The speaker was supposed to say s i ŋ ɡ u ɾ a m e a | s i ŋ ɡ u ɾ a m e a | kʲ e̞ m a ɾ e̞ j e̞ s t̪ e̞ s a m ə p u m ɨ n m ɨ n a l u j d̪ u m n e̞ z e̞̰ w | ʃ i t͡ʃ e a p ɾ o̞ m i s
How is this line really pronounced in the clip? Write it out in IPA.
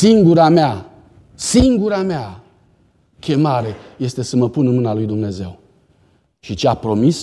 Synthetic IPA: s i ŋ ɡ u ɾ a m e a | s i ŋ ɡ u ɾ a m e a | kʲ e̞ m a ɾ e̞ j e̞ s t̪ e̞ s ə m ə p u n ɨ n m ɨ n a l u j d̪ u m n e̞ z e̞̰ w | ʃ i t͡ʃ e a p ɾ o̞ m i s